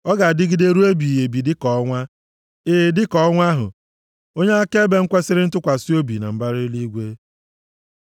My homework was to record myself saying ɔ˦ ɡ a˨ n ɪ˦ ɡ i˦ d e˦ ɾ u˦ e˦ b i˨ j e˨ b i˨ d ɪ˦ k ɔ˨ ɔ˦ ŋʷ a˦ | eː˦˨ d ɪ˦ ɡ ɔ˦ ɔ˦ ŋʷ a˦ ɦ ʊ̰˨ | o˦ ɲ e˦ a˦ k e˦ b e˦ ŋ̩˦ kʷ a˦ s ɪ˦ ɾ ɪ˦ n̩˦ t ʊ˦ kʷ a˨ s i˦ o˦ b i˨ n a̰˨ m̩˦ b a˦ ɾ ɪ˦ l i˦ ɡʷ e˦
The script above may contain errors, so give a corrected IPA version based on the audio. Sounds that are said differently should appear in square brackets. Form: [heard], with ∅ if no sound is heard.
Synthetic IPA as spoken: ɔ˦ ɡ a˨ [d] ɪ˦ ɡ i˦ d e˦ ɾ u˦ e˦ b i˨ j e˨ b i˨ d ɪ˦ k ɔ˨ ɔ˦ ŋʷ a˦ | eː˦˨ d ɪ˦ [k] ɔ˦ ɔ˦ ŋʷ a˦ ɦ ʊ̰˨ | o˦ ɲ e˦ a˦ k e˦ b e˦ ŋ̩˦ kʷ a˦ s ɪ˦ ɾ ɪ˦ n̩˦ t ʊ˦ kʷ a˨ s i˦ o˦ b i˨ n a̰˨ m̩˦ b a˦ ɾ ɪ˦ l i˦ ɡʷ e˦